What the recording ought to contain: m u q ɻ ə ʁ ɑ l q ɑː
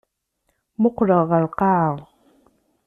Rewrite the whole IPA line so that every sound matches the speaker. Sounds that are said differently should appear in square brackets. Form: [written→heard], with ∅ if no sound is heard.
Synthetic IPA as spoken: m [u→o] q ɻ [ə→ɑ] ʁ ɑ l q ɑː